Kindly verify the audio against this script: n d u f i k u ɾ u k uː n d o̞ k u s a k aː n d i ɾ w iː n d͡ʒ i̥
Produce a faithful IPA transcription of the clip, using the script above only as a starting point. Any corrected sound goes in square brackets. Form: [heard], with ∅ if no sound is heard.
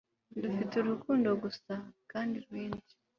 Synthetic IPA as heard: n d u f i [t] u ɾ u k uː n d o̞ [ɡ] u s a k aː n d i ɾ w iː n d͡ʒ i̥